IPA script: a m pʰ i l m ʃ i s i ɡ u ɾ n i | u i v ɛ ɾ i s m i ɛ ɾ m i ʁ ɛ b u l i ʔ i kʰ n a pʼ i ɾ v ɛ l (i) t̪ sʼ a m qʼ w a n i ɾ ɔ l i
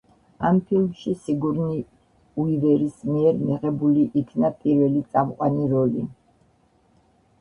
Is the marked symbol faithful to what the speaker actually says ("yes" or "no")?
yes